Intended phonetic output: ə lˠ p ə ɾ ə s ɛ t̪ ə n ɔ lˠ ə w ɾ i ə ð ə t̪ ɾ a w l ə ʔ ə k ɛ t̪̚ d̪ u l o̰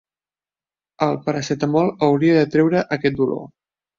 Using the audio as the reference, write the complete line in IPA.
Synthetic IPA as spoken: ə lˠ p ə ɾ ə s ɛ t̪ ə m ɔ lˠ ə w ɾ i ə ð ə t̪ ɾ ɛ w ɾ ə ʔ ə k ɛ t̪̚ d̪ u l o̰